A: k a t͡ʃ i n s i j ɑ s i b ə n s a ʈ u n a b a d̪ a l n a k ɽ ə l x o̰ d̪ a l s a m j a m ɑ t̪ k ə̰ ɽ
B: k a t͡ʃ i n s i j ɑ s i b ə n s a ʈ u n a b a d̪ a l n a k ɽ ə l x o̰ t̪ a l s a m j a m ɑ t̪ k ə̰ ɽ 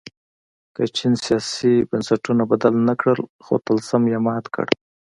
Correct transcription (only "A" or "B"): B